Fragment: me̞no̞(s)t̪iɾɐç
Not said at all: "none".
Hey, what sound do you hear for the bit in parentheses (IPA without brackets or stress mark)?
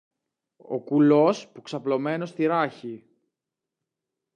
s